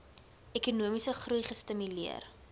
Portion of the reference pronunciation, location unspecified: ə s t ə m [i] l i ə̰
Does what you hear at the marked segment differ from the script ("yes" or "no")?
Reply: yes